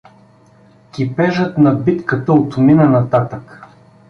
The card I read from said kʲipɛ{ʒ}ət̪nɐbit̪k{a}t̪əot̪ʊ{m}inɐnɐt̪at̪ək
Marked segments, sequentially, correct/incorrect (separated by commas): correct, incorrect, correct